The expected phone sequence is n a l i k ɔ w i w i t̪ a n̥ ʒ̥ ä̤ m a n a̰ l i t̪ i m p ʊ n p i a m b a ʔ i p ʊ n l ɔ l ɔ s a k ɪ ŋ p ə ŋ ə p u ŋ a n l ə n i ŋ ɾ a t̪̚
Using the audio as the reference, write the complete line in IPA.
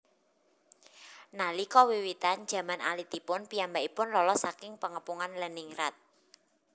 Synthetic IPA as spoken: n a l i k ɔ w i w i t̪ a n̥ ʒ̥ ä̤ m a n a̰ l i t̪ i p ʊ n p i a m b a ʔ i p ʊ n l ɔ l ɔ s a k ɪ ŋ p ə ŋ ə p u ŋ a n l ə n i ŋ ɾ a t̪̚